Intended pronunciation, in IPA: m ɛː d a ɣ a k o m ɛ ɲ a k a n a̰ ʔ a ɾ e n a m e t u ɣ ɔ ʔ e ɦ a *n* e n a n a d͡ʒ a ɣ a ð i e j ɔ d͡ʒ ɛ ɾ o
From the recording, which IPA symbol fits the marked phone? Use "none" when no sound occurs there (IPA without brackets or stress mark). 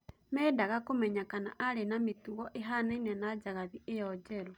n